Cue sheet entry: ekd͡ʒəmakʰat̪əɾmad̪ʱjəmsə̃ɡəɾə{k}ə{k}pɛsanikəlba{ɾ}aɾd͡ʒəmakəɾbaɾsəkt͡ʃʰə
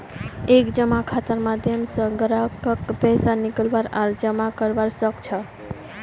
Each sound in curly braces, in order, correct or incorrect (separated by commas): correct, correct, correct